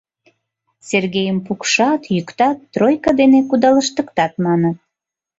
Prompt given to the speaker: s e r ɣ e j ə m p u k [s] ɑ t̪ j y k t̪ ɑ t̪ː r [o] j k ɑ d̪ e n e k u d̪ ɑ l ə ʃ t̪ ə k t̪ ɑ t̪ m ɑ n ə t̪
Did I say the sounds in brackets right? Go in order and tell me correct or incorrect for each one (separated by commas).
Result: incorrect, correct